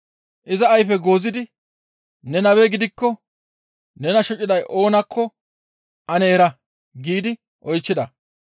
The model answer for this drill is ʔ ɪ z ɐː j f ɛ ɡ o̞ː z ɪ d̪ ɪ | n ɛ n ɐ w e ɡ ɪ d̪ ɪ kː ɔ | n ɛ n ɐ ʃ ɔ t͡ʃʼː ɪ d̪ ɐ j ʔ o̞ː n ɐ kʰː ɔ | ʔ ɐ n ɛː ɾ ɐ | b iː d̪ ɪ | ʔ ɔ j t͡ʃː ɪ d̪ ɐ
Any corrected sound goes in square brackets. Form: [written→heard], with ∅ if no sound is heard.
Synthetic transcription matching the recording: ʔ ɪ z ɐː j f ɛ ɡ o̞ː z ɪ d̪ ɪ | n ɛ n ɐ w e ɡ ɪ d̪ ɪ kː ɔ | n ɛ n ɐ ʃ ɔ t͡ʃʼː ɪ d̪ ɐ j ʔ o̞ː n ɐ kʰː ɔ | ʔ ɐ n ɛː ɾ ɐ | [b→ɡ] iː d̪ ɪ | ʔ ɔ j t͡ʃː ɪ d̪ ɐ